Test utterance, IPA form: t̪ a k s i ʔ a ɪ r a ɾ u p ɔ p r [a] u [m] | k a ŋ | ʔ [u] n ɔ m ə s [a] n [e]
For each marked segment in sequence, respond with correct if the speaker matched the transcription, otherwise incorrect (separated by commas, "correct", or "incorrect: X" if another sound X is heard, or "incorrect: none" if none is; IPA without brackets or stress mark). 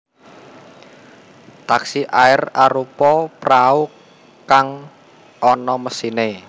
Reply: correct, incorrect: none, incorrect: ɔ, incorrect: i, correct